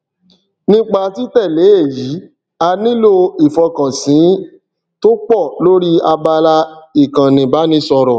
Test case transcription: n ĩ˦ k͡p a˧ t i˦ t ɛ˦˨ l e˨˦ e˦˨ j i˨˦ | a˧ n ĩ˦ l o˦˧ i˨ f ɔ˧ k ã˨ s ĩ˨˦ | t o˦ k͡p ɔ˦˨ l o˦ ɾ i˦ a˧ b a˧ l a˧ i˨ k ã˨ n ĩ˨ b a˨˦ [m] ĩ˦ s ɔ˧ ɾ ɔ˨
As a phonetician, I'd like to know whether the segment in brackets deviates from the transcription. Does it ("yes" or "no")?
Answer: yes